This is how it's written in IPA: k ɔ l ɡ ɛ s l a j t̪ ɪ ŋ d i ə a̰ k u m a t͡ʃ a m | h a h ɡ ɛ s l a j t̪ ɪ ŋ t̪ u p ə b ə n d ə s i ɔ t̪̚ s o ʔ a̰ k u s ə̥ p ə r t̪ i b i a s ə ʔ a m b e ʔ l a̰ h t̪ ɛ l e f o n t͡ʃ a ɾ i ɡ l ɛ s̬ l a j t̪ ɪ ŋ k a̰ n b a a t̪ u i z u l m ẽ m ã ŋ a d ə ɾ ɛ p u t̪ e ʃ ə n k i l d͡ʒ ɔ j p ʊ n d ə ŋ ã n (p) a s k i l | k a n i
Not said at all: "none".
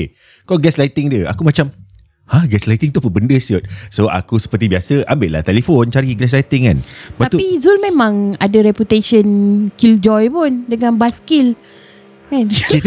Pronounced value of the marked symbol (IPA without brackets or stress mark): b